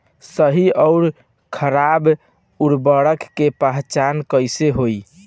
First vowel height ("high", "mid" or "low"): mid